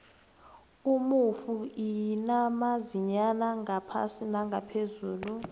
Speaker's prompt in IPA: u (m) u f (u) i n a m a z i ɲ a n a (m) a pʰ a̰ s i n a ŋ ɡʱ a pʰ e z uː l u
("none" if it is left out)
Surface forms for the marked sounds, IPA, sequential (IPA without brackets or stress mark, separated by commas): m, u, ŋ